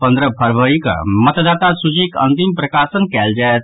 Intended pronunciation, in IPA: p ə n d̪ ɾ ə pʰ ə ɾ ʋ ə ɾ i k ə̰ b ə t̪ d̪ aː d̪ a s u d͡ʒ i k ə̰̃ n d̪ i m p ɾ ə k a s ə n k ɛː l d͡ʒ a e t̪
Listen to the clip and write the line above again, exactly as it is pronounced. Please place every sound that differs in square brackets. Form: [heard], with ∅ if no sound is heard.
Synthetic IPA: p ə n d̪ ɾ ə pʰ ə ɾ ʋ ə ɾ i k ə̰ [m] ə t̪ d̪ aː [t̪] a s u d͡ʒ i k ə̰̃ n [t̪] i m p ɾ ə k a s ə n k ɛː l d͡ʒ a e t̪